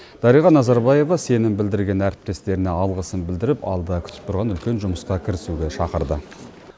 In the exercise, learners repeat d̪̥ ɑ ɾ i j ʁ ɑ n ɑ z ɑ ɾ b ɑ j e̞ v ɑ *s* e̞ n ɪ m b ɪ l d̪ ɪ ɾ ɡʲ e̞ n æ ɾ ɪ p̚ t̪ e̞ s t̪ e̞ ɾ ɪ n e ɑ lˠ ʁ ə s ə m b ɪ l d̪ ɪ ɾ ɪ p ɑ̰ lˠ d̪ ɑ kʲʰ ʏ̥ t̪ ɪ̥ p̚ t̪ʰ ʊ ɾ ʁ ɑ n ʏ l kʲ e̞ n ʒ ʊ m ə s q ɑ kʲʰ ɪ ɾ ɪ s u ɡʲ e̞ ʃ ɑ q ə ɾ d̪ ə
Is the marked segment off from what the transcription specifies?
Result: no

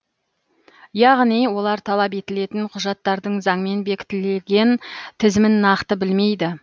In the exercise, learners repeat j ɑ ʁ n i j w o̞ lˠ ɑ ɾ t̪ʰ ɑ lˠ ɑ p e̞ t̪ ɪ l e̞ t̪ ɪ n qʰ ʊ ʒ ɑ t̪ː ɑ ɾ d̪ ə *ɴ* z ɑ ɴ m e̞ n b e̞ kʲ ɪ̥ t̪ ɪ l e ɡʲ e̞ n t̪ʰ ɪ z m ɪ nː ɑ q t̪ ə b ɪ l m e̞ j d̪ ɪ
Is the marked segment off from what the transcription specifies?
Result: no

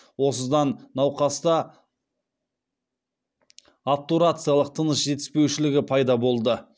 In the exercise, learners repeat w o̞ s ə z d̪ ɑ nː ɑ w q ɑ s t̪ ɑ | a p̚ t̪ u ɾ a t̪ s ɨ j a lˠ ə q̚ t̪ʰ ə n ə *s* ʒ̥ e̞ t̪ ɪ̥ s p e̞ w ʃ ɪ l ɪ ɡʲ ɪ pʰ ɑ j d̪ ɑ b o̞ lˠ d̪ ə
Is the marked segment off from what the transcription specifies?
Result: no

